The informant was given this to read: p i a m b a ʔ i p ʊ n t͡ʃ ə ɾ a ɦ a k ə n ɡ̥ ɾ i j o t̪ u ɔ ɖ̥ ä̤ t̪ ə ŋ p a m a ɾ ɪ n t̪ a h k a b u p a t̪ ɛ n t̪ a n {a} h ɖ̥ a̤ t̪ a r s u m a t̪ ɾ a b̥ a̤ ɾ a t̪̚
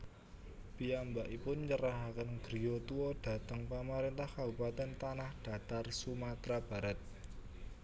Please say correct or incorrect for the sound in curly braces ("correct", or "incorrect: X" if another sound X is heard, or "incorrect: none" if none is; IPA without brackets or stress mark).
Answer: correct